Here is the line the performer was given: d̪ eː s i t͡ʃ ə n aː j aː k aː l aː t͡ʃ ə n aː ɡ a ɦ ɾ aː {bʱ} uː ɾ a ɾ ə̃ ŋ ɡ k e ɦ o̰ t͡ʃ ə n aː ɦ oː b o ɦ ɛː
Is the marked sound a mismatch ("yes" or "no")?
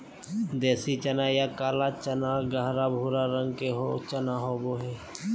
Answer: no